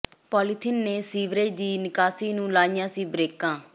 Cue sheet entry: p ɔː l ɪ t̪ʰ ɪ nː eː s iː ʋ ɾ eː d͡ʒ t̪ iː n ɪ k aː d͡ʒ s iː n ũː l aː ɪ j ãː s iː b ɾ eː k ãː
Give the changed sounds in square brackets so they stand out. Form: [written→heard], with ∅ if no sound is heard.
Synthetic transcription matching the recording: p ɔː l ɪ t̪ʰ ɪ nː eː s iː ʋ ɾ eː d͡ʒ [t̪→d̪] iː n ɪ k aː [d͡ʒ→∅] s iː n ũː l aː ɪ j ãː s iː b ɾ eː k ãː

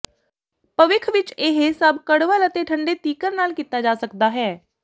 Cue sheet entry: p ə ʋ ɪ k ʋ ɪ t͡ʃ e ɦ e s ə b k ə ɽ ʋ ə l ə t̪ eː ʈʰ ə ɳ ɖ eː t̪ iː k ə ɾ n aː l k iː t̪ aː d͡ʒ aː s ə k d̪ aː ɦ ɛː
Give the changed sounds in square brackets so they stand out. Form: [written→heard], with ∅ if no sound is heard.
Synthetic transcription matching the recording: p ə ʋ ɪ [k→kʰ] ʋ ɪ t͡ʃ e ɦ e s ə b k ə ɽ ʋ ə l ə t̪ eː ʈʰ ə ɳ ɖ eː t̪ iː k ə ɾ n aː l k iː t̪ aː d͡ʒ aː s ə k d̪ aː ɦ ɛː

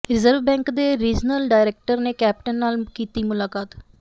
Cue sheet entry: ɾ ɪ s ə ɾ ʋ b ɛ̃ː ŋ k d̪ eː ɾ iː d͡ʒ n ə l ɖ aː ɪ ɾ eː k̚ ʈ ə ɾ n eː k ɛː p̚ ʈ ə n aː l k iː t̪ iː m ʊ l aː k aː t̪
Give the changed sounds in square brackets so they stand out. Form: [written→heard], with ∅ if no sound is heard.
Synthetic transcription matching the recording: ɾ ɪ [s→z] ə ɾ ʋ b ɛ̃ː ŋ k d̪ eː ɾ iː d͡ʒ n ə l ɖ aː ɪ ɾ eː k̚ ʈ ə ɾ n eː k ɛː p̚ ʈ ə [n→nː] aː l k iː t̪ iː m ʊ l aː k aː t̪

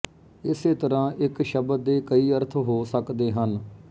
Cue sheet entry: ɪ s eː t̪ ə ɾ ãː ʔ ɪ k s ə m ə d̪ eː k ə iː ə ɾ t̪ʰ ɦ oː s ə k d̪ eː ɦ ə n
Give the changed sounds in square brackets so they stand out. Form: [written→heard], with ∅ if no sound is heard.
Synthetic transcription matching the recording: ɪ s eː t̪ ə ɾ ãː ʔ ɪ k [s→ʃ] ə [m→b] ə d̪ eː k ə iː ə ɾ t̪ʰ ɦ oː s ə k d̪ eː ɦ ə n

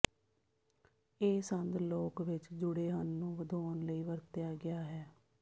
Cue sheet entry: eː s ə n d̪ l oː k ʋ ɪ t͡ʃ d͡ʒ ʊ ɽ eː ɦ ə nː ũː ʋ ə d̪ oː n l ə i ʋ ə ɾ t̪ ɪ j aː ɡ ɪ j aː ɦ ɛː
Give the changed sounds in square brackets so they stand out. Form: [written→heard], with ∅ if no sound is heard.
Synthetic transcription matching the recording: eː s ə n d̪ l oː k ʋ ɪ t͡ʃ d͡ʒ ʊ ɽ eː ɦ ə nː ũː ʋ ə d̪ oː n l ə [i→iː] ʋ ə ɾ t̪ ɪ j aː ɡ ɪ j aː ɦ ɛː

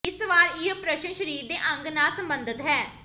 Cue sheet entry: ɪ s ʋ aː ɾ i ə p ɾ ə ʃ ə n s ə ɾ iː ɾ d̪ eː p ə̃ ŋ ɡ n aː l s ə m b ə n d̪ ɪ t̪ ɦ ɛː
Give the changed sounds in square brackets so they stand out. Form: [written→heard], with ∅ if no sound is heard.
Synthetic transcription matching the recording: ɪ s ʋ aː ɾ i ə p ɾ ə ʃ ə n [s→ʃ] ə ɾ iː ɾ d̪ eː [p→ʔ] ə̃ ŋ ɡ n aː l s ə m b ə n d̪ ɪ t̪ ɦ ɛː

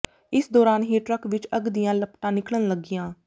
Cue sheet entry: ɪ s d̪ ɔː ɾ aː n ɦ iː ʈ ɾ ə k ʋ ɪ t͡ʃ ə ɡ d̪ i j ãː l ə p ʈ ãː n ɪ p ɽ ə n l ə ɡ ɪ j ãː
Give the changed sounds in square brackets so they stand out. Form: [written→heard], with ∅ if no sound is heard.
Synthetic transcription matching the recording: ɪ s d̪ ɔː ɾ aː n ɦ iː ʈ ɾ ə k ʋ ɪ t͡ʃ ə ɡ d̪ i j ãː l ə p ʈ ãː n ɪ [p→k] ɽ ə n l ə ɡ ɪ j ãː

